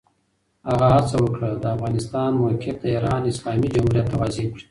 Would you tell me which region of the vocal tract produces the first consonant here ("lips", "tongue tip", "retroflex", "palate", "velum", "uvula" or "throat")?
throat